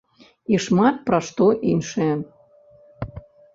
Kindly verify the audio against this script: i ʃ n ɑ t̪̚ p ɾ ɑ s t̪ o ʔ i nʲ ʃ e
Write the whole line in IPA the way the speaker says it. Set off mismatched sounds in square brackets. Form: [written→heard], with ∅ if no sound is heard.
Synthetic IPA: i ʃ [n→m] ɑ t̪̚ p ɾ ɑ [s→ʃ] t̪ o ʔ i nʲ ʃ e